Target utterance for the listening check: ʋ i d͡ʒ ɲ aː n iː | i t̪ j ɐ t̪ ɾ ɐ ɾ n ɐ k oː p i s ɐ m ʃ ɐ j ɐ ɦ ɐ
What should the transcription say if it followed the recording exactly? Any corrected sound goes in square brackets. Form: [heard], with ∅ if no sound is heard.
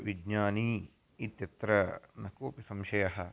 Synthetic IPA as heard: ʋ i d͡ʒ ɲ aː n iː | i t̪ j ɐ t̪ ɾ ɐ [∅] n ɐ k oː p i s ɐ m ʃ ɐ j ɐ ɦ ɐ